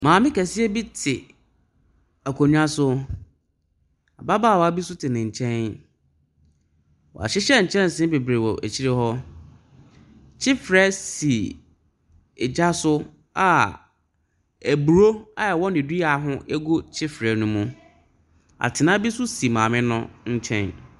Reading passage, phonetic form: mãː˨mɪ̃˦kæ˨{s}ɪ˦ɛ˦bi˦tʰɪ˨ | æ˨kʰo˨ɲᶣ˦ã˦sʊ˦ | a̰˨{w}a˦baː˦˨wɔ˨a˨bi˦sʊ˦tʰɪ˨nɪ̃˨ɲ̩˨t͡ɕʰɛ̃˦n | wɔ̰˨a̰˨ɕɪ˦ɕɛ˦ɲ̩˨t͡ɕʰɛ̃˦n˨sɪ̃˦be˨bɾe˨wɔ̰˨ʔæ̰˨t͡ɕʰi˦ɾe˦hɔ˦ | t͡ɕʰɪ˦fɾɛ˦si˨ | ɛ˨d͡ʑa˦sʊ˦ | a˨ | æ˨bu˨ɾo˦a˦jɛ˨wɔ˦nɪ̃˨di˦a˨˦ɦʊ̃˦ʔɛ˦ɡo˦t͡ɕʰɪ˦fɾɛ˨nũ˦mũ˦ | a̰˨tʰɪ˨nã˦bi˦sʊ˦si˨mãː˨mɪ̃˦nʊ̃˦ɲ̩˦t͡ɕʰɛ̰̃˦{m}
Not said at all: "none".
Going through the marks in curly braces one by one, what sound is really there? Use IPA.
s, b, n

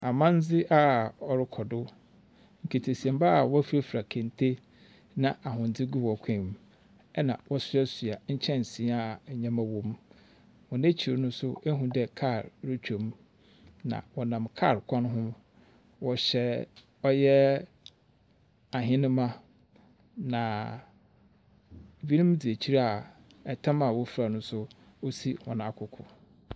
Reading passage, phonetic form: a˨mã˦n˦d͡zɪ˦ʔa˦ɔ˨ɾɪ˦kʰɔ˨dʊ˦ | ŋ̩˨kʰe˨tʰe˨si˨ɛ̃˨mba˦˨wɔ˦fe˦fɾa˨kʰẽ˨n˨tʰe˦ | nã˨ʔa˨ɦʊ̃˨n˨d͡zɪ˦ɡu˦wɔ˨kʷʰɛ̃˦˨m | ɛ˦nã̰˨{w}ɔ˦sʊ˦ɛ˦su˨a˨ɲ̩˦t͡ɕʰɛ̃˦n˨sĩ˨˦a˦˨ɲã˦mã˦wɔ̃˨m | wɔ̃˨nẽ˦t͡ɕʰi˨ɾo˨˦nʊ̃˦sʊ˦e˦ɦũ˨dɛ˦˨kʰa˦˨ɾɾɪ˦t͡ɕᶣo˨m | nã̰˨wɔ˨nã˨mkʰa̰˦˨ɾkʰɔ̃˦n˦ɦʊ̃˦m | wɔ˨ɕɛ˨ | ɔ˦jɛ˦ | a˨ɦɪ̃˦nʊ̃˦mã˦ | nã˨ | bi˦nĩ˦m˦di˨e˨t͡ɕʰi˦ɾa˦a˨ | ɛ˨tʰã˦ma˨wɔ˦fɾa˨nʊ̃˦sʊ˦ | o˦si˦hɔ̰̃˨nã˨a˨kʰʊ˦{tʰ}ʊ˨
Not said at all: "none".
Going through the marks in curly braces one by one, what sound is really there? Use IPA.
w, kʰ

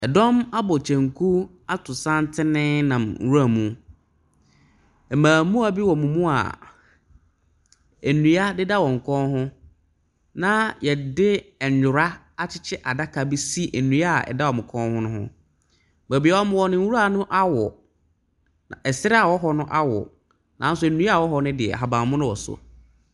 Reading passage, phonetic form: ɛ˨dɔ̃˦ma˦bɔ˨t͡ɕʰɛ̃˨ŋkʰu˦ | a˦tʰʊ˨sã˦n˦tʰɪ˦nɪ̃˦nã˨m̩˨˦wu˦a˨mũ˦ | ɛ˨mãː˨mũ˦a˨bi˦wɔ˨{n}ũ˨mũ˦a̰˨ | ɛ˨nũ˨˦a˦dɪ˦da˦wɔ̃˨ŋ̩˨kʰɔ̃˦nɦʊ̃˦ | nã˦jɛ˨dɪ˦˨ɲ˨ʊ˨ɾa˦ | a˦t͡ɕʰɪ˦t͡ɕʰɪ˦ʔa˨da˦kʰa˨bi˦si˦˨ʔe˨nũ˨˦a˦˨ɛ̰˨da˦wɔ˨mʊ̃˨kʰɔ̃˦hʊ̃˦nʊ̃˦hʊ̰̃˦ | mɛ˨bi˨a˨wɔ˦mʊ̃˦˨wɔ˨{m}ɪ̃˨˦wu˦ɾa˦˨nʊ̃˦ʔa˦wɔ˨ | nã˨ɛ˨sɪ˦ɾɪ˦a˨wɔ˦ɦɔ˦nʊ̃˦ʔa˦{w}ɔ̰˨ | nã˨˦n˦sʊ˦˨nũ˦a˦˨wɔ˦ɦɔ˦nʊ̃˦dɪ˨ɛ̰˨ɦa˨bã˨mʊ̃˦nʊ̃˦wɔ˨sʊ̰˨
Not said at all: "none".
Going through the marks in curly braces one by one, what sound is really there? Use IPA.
m, n, w

